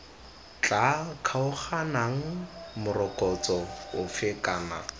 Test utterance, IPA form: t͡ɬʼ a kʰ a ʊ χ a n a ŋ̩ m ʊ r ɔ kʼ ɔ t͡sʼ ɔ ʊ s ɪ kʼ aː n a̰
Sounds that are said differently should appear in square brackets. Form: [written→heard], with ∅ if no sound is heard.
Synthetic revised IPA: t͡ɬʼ a kʰ a ʊ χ a n a ŋ̩ m ʊ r ɔ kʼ ɔ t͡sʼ ɔ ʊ [s→f] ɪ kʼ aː n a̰